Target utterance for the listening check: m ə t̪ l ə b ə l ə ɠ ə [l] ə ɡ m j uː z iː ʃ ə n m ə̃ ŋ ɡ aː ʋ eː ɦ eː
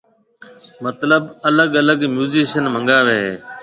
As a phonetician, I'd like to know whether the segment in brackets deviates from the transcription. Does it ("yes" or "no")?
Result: no